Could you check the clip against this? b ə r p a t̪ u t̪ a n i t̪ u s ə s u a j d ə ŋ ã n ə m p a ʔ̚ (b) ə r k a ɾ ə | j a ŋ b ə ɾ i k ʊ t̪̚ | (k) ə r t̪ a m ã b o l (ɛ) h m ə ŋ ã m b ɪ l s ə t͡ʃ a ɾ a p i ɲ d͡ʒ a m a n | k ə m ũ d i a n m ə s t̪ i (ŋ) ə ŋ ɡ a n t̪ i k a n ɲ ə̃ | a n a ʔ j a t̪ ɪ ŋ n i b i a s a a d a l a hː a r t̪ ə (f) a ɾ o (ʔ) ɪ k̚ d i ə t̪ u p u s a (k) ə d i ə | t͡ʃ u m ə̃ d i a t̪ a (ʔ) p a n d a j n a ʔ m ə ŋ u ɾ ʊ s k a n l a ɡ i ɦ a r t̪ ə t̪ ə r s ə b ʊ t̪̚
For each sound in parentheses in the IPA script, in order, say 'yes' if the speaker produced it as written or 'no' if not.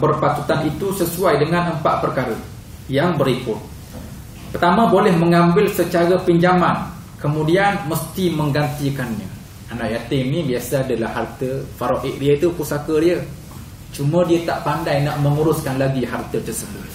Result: no, no, yes, no, yes, yes, yes, yes

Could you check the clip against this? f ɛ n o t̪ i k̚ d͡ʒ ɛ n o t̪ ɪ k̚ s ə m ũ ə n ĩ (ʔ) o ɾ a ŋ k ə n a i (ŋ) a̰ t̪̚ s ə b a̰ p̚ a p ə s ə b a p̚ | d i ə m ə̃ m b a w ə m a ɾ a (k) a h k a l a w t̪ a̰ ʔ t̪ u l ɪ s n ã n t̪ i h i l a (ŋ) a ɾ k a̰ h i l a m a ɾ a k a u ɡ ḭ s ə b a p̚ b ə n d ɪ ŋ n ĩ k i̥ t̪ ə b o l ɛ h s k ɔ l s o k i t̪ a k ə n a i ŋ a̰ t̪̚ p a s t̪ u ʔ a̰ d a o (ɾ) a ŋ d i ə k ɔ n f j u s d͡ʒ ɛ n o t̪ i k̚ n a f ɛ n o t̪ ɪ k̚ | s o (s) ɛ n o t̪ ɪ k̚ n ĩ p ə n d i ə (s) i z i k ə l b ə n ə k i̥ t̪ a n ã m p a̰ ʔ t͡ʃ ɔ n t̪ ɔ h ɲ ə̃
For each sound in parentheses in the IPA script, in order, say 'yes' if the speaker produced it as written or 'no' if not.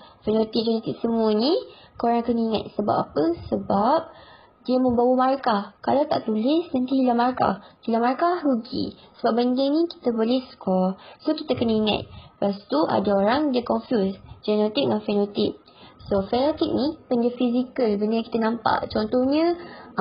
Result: no, yes, yes, no, yes, no, no

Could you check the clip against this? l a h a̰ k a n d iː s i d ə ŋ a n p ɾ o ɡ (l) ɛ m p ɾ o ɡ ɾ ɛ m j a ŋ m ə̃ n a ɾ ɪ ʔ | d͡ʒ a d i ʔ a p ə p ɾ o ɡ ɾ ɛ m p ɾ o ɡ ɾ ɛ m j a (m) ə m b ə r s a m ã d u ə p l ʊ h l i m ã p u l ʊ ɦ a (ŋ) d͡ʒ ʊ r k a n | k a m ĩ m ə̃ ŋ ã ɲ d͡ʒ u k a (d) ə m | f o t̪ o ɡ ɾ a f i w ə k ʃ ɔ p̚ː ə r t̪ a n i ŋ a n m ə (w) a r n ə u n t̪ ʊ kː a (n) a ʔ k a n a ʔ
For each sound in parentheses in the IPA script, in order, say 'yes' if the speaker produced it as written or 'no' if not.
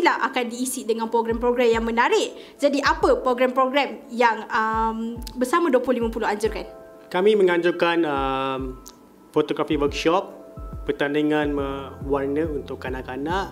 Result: no, no, no, no, yes, yes

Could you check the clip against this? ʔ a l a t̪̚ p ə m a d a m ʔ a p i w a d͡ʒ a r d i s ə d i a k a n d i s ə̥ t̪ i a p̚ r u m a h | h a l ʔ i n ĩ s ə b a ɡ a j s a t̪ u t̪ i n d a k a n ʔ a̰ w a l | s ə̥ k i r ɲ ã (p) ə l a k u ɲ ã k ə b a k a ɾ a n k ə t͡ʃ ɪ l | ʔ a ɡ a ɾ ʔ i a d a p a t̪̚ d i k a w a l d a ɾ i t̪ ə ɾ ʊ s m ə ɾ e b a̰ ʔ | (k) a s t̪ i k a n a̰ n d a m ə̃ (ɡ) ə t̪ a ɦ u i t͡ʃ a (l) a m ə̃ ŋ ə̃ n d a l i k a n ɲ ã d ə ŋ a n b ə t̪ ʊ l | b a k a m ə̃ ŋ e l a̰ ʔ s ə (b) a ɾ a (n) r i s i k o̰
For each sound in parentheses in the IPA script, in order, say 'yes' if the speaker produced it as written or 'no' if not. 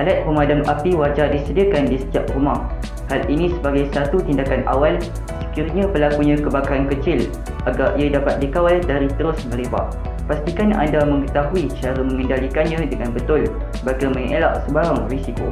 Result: yes, no, no, no, yes, no

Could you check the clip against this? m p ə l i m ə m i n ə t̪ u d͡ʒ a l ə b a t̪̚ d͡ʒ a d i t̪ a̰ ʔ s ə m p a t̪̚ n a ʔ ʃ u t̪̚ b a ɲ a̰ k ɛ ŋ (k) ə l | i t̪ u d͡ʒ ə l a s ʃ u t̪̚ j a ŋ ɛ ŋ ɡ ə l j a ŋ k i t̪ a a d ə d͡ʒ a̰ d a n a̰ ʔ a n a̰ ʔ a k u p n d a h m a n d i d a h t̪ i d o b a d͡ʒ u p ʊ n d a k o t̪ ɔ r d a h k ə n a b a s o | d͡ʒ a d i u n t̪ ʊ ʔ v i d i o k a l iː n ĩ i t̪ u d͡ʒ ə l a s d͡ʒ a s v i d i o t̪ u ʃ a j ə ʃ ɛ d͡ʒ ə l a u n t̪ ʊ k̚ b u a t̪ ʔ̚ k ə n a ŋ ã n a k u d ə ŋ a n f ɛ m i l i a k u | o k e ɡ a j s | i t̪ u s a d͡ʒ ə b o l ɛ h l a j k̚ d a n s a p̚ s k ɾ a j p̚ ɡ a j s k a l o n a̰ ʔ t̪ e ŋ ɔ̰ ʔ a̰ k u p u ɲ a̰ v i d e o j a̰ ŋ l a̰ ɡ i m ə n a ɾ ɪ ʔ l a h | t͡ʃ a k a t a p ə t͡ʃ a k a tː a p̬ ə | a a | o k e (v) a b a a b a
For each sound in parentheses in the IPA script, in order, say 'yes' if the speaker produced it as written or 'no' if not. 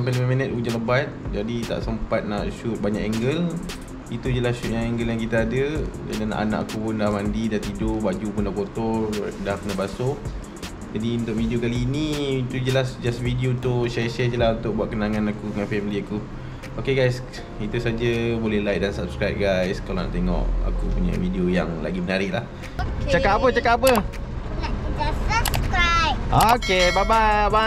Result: no, no

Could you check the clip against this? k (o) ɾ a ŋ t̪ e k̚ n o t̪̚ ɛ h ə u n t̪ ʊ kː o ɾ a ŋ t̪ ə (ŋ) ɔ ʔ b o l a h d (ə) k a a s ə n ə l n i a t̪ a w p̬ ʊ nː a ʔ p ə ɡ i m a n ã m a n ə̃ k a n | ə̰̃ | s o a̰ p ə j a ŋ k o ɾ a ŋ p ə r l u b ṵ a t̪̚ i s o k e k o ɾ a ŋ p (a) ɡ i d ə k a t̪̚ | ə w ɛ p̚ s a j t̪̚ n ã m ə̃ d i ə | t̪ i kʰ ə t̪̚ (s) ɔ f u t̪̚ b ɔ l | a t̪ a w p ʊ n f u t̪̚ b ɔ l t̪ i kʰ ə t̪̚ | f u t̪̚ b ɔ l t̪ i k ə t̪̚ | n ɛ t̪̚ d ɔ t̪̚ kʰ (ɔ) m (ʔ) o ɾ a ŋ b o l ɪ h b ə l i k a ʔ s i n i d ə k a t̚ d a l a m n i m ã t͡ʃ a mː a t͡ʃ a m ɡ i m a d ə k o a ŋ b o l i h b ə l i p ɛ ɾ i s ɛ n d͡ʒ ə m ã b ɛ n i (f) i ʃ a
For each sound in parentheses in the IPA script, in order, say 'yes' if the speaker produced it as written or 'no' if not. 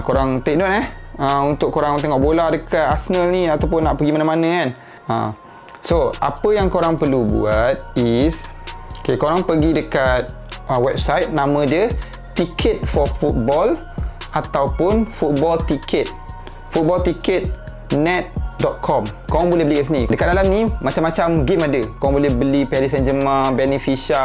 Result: yes, yes, yes, no, no, yes, no, yes

